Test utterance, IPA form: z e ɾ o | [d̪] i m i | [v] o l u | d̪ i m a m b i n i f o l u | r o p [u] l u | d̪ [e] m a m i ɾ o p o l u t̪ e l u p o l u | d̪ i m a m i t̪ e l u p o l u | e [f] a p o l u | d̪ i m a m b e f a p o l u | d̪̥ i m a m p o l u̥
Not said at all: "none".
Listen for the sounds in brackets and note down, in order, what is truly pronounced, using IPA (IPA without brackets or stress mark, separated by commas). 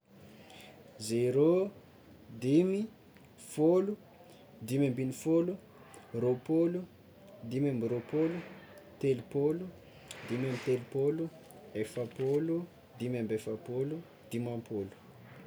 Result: d̪, f, o, i, f